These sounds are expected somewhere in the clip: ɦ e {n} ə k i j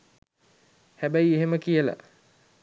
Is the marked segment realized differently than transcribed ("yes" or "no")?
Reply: yes